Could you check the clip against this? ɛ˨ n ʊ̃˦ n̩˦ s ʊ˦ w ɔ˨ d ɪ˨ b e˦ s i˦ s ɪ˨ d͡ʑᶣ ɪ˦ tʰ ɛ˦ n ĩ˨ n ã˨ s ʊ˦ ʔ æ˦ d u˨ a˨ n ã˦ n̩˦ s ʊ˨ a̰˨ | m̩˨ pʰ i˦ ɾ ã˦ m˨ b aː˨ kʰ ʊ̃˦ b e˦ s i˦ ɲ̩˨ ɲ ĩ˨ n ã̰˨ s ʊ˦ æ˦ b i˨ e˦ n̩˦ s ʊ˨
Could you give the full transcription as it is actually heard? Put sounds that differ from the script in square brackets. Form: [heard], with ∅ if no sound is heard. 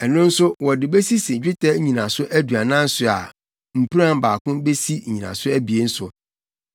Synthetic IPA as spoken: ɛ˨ n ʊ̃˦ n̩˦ s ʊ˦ w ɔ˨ d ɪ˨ b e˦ s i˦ s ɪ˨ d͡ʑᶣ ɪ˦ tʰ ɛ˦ [ɲ] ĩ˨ n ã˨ s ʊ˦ ʔ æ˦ d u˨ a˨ n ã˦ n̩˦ s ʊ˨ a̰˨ | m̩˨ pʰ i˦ ɾ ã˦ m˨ b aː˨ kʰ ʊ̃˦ b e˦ s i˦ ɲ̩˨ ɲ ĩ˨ n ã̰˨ s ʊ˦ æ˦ b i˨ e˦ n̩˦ s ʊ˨